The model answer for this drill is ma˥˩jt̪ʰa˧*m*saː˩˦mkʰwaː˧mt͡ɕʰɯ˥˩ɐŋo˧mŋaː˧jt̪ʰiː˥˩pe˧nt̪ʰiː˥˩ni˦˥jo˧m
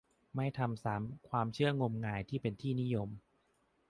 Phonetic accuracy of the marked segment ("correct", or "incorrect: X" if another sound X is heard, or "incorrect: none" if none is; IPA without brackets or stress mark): correct